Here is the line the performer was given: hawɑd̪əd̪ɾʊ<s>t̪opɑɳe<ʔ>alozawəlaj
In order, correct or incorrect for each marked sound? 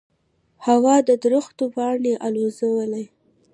incorrect: x, correct

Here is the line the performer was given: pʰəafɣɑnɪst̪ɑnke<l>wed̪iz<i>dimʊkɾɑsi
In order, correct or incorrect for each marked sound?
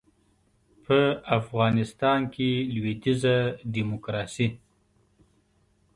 correct, incorrect: a

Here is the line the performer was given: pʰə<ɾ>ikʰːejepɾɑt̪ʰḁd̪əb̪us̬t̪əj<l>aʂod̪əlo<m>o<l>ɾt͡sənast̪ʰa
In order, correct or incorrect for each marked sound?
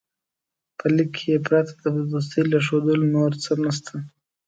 incorrect: l, correct, incorrect: n, incorrect: none

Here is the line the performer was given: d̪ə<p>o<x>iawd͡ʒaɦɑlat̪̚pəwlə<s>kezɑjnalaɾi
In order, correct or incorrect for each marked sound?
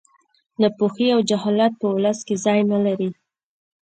correct, correct, correct

